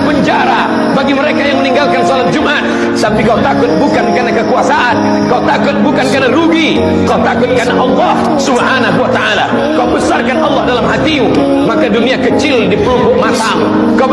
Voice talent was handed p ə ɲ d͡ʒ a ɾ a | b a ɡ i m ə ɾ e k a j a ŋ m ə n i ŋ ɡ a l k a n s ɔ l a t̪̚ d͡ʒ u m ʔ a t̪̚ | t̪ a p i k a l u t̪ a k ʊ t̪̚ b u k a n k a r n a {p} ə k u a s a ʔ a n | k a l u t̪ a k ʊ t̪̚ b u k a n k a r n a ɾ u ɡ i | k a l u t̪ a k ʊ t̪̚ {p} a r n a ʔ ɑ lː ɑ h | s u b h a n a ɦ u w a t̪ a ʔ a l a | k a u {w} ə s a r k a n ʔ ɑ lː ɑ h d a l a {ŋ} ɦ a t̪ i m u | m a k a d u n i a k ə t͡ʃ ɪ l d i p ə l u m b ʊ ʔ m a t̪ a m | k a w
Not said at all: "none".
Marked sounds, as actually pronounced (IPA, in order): k, k, b, m

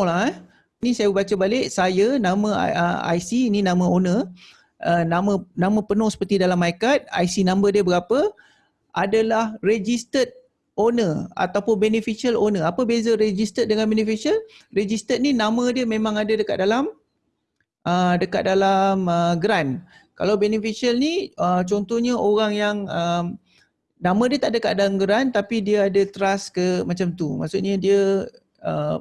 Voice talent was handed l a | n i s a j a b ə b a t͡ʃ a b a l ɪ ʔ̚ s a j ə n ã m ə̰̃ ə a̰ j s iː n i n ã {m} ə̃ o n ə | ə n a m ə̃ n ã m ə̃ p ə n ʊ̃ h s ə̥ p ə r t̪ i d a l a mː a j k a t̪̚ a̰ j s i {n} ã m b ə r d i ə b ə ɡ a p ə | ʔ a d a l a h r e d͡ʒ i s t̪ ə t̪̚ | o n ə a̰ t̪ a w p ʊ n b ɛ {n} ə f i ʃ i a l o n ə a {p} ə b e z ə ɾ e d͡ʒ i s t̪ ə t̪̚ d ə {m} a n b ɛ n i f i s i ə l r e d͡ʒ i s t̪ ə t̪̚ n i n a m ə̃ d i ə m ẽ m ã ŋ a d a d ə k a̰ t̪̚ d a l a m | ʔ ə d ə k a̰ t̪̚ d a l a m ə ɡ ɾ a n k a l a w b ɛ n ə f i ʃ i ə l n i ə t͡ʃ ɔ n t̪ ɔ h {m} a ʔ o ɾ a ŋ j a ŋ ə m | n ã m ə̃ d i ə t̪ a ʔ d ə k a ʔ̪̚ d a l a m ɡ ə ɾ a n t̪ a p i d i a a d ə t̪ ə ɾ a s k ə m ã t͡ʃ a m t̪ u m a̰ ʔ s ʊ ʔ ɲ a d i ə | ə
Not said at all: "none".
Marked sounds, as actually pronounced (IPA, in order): m, n, n, p, ŋ, ɲ

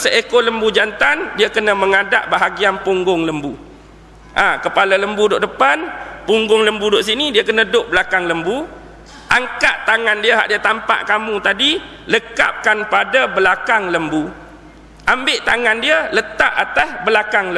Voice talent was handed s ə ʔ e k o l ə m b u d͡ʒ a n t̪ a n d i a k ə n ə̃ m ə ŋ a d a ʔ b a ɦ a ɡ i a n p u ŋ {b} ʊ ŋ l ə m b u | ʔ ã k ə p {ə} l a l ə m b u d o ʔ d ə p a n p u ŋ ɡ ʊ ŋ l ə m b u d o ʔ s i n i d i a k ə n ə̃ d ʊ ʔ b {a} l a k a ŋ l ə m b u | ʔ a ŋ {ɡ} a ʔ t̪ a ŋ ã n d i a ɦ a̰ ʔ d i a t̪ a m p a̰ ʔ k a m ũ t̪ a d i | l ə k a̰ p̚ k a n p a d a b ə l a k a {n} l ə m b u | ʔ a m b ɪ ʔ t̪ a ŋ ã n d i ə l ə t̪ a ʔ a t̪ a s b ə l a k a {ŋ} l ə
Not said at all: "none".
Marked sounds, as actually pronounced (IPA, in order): ɡ, a, ə, k, ŋ, ŋ

